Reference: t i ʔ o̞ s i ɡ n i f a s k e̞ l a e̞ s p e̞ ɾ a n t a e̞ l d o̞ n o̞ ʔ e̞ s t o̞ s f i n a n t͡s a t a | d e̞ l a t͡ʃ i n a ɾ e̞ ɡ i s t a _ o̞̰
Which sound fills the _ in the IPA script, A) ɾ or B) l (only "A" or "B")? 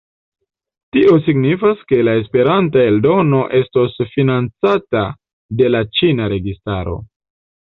A